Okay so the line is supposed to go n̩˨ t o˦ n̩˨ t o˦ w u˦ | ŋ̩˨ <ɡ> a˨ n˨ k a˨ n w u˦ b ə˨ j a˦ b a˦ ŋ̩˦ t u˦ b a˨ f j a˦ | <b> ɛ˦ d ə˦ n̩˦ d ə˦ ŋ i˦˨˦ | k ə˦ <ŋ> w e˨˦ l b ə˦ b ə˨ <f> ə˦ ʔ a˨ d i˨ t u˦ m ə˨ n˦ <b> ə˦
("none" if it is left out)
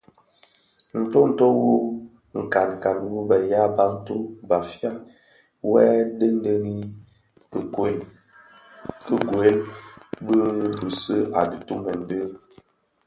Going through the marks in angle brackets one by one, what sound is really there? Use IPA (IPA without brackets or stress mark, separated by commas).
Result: k, w, ɡ, s, d